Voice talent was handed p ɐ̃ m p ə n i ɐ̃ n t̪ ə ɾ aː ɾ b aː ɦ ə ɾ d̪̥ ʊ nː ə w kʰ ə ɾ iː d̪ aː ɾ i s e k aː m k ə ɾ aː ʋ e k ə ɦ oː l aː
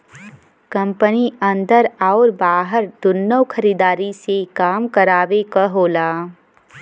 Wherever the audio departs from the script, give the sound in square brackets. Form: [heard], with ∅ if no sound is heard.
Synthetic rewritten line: [k] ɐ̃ m p ə n i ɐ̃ n [d̪] ə ɾ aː ɾ b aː ɦ ə ɾ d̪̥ ʊ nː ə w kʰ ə ɾ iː d̪ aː ɾ i s e k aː m k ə ɾ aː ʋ e k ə ɦ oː l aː